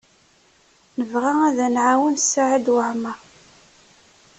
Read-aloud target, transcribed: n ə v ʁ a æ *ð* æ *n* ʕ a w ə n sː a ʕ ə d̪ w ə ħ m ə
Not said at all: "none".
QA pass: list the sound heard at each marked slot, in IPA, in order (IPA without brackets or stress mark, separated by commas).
ð, n